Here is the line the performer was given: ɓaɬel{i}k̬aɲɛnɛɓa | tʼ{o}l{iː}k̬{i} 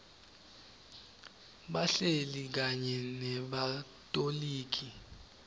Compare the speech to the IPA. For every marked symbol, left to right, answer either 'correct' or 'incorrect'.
correct, correct, correct, correct

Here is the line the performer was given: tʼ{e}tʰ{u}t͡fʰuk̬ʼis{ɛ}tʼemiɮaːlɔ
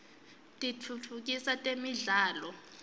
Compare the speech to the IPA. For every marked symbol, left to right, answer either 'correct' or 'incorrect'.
incorrect: i, correct, incorrect: a

